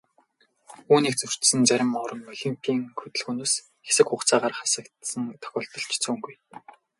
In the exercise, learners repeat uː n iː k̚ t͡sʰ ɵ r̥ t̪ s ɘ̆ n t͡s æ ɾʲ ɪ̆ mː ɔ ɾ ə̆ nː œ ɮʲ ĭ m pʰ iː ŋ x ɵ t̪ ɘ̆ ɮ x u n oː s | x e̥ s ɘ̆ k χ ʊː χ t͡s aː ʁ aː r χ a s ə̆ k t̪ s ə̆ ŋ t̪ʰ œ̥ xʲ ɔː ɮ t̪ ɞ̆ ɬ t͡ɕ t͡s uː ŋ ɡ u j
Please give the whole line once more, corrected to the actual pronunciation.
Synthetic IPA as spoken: uː n iː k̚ t͡s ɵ r̥ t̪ s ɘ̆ n t͡s æ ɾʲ ɪ̆ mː ɔ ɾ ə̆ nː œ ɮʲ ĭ m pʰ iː ŋ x ɵ t̪ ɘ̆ ɮ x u n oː s | x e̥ s ɘ̆ k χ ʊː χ t͡s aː ʁ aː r χ a s ə̆ k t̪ s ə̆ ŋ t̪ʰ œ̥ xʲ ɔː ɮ t̪ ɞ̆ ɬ t͡ɕ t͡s uː ŋ ɡ u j